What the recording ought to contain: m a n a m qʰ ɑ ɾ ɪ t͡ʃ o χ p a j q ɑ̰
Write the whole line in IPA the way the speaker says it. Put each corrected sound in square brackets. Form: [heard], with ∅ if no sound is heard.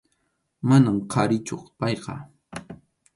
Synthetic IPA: m a n a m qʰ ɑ ɾ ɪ t͡ʃ o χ p [ɑ] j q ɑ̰